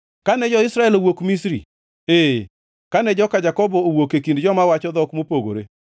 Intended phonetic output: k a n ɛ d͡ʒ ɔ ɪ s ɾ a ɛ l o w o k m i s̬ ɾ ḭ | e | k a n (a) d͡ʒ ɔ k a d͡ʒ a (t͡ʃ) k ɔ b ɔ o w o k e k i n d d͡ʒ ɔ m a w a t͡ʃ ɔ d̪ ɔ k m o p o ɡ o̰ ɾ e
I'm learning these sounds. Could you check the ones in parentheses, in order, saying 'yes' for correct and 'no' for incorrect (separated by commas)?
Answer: no, no